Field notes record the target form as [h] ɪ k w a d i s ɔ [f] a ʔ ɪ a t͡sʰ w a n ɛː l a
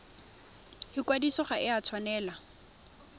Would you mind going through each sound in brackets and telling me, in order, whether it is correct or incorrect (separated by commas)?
correct, incorrect